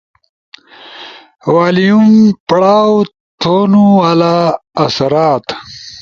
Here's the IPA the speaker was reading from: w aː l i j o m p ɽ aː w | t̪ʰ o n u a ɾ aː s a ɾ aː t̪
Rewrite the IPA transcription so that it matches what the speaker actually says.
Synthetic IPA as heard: w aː l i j u m p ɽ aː w | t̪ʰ o n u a l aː s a ɾ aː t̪